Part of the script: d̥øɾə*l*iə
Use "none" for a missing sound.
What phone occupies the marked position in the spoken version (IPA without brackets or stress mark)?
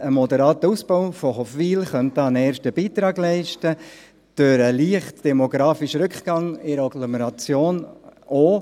l